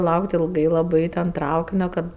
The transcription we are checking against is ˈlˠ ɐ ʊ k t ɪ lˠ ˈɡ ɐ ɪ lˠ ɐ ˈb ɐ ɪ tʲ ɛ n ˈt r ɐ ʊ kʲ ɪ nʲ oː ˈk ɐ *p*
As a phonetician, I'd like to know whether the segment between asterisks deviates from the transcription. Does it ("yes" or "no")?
yes